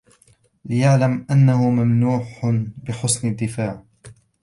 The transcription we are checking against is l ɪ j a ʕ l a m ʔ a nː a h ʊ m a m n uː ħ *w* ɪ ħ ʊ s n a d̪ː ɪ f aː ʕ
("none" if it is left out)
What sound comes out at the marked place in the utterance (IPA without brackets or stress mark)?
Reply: b